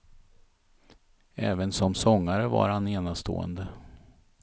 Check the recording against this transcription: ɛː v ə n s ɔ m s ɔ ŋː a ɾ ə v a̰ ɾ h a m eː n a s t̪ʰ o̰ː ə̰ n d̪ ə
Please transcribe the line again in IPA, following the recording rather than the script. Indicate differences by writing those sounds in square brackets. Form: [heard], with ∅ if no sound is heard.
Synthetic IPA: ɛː v ə n s ɔ m s ɔ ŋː a ɾ ə v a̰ ɾ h a [n] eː n a s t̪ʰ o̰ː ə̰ n d̪ ə